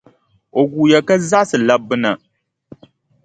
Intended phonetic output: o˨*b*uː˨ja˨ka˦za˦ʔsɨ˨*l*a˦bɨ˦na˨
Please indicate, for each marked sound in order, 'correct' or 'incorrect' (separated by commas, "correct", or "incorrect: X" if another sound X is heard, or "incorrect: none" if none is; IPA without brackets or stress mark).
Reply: incorrect: ɡ, correct